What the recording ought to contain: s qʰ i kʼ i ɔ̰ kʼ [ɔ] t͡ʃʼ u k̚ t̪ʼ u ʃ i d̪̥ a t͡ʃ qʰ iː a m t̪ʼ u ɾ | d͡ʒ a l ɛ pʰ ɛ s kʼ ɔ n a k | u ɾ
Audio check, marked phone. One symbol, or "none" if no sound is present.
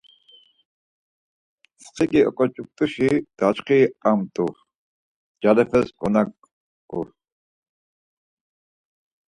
ɔ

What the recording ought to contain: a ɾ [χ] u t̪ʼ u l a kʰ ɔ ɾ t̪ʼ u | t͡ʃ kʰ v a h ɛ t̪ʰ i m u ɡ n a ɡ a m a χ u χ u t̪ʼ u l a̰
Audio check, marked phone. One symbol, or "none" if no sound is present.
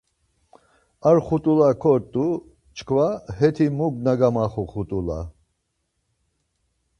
χ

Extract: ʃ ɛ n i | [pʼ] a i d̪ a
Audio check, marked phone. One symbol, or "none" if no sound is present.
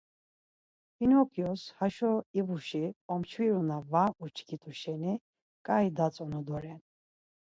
kʼ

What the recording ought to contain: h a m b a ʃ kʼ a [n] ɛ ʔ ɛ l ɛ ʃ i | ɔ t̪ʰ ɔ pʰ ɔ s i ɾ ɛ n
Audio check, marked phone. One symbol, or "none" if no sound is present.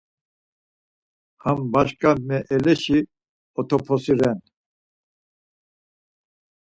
m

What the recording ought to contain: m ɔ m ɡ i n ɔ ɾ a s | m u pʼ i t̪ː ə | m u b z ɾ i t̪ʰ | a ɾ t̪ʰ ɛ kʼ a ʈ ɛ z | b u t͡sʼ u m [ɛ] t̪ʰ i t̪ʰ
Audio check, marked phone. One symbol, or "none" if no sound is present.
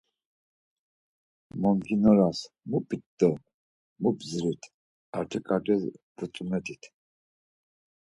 ɛ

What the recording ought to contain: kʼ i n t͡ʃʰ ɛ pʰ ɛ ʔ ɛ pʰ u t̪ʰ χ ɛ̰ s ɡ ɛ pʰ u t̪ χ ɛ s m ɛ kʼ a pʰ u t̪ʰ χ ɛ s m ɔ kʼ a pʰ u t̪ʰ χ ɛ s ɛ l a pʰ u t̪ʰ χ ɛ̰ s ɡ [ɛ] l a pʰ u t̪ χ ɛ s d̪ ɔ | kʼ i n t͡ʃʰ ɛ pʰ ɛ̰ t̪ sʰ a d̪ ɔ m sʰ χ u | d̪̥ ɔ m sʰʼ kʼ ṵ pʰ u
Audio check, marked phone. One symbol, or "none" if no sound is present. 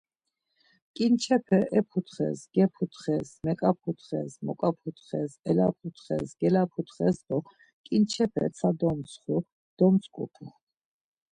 ɛ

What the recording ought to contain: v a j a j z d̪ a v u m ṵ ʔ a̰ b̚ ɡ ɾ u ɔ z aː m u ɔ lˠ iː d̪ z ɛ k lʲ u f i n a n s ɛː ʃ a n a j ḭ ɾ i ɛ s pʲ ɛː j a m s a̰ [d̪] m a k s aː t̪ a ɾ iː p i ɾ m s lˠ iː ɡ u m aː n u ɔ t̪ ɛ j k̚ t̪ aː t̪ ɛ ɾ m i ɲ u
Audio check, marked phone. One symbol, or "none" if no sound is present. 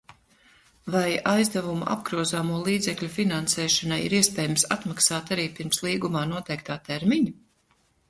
t̪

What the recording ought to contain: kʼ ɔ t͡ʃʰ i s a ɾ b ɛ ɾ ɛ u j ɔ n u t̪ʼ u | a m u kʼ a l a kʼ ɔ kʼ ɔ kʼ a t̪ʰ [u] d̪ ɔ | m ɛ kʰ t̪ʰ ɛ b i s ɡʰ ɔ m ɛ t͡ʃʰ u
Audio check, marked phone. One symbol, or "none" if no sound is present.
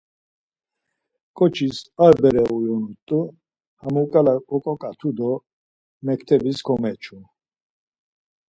u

